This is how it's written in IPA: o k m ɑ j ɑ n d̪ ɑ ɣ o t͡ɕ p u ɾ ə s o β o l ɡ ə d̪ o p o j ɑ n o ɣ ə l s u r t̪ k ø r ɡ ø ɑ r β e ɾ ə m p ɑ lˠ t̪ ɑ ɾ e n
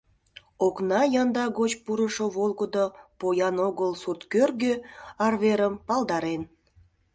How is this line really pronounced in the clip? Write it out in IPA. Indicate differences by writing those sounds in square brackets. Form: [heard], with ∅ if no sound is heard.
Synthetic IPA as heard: o k [n] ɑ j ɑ n d̪ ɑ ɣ o t͡ɕ p u ɾ ə [ʃ] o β o l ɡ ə d̪ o p o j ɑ n o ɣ ə l s u r t̪ k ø r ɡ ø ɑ r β e ɾ ə m p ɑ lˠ [d̪] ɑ ɾ e n